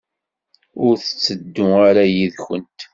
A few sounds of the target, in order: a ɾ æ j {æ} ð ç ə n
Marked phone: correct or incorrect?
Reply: incorrect: i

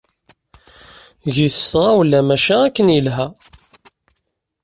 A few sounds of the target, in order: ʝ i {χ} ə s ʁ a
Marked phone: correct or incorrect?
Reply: incorrect: θ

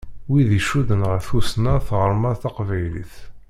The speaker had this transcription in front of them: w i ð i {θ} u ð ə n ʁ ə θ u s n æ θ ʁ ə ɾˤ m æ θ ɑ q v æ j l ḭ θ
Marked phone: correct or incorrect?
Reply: incorrect: ʃ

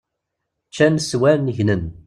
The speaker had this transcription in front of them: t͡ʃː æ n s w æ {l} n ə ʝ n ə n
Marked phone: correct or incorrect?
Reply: incorrect: ɾ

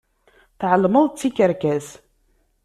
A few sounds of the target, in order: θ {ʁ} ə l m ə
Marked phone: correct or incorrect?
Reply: incorrect: ʕ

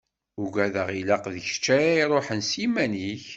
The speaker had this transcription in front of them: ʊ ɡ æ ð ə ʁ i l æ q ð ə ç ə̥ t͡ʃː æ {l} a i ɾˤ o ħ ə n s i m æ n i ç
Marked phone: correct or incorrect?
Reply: incorrect: ɾ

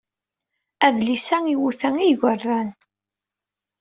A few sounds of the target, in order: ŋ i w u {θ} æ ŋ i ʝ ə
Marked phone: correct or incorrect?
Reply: correct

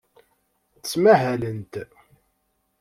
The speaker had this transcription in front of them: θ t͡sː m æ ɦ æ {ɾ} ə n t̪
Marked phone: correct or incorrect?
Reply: incorrect: l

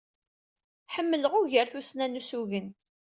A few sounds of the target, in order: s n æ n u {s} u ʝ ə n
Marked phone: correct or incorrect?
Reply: correct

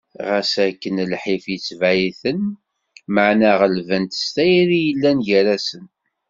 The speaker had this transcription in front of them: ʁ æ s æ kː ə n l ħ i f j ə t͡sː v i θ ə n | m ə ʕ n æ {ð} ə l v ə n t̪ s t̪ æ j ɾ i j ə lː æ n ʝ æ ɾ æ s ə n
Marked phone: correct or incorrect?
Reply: incorrect: ʁ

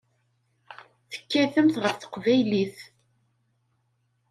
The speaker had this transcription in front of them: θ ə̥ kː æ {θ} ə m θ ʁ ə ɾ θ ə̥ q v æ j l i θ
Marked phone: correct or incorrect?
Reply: correct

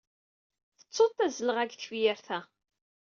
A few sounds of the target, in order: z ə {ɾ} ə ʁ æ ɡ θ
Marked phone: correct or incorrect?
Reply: incorrect: l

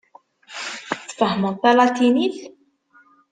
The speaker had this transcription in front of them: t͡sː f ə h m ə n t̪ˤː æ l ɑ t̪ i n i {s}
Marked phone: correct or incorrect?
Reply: incorrect: θ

